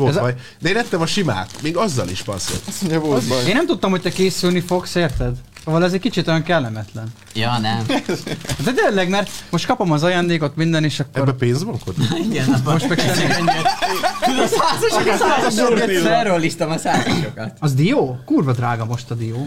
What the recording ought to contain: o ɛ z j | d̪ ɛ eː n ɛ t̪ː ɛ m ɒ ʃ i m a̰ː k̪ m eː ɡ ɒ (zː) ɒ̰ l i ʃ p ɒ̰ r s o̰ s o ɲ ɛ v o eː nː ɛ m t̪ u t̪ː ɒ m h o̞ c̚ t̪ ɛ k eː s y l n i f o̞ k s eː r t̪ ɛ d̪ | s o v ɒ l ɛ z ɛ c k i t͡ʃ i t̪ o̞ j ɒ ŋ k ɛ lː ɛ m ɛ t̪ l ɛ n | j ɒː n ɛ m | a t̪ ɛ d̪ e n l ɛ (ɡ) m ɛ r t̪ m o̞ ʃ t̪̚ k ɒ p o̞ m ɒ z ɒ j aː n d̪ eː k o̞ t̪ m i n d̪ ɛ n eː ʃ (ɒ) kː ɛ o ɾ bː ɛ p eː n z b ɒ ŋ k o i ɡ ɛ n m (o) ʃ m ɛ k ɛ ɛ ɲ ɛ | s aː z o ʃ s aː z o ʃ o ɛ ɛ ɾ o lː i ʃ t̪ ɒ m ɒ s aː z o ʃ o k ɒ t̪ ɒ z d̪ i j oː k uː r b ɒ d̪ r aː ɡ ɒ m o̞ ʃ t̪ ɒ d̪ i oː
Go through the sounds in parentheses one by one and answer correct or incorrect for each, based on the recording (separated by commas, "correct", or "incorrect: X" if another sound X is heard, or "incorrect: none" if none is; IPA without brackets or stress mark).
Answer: correct, correct, correct, correct